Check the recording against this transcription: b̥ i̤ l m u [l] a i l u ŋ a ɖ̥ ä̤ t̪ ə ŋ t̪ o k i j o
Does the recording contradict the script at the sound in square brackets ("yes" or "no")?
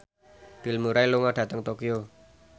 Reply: yes